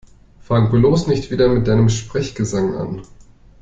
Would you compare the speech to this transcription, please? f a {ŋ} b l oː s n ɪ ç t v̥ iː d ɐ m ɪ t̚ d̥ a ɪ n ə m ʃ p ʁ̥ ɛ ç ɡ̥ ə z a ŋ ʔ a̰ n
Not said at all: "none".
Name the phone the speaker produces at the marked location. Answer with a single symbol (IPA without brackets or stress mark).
ŋ